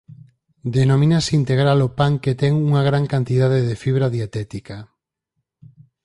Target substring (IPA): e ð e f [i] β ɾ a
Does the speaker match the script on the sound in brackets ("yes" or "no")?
yes